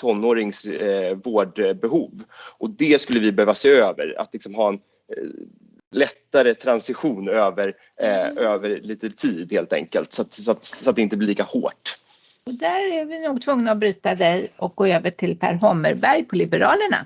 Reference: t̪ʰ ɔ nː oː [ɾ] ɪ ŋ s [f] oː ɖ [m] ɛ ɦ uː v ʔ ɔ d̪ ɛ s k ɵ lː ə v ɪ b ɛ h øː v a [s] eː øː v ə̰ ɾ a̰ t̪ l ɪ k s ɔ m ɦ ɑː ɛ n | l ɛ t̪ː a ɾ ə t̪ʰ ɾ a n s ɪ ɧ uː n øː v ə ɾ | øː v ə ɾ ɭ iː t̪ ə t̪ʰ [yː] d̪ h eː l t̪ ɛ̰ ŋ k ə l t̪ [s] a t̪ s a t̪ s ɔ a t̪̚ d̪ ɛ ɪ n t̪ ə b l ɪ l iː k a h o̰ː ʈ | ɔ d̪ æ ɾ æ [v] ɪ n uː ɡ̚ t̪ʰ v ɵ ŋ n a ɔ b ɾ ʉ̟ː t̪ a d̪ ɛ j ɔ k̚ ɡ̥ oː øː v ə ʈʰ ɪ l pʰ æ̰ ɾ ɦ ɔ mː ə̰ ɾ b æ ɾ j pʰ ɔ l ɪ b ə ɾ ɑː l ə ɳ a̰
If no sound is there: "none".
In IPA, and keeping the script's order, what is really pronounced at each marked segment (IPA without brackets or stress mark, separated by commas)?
ɾ, v, b, s, iː, s, v